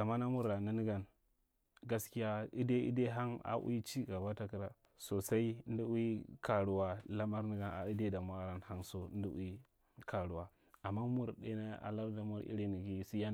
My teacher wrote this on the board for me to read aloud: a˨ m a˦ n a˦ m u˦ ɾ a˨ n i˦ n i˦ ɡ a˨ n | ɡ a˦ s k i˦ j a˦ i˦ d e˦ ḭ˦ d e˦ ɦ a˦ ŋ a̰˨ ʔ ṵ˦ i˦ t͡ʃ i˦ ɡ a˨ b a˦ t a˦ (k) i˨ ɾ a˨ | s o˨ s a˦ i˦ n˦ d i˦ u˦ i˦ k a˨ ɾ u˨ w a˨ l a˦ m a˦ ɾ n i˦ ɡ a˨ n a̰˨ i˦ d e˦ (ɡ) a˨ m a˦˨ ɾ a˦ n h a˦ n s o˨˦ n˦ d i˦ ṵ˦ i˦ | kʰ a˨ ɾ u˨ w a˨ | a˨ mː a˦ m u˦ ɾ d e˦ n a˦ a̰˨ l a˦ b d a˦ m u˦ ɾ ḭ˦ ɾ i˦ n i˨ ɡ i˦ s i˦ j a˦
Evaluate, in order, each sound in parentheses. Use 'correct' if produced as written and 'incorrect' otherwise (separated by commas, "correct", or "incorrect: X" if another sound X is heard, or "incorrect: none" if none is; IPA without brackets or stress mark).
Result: correct, incorrect: d